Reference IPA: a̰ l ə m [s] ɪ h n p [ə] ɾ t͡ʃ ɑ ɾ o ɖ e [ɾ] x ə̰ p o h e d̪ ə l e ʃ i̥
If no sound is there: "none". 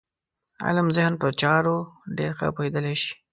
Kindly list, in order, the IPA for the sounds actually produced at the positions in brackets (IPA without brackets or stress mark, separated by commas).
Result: z, ə, ɾ